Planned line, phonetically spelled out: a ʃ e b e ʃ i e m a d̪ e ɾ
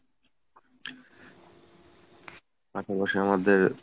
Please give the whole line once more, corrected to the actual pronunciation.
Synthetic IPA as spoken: a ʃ a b a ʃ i a m a d̪ e ɾ